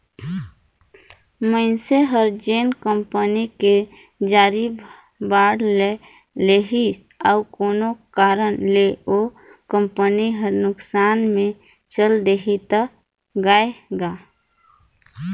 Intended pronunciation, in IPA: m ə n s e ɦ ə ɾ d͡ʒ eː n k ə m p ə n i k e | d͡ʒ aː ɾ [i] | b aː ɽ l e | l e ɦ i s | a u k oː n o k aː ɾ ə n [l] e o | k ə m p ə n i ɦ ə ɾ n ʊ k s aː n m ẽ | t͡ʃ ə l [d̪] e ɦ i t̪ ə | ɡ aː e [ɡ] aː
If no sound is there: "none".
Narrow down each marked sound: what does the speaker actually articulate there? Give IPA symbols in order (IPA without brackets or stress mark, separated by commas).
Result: i, l, d̪, ɡ